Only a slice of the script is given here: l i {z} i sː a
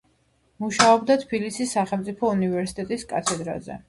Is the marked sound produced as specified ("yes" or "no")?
no